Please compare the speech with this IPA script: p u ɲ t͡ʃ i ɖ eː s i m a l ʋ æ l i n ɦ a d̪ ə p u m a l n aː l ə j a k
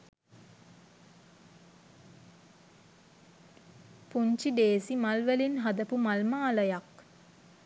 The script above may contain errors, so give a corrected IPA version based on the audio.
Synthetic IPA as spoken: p u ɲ t͡ʃ i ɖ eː s i m a l ʋ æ l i n ɦ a d̪ ə p u m a l m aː l ə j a k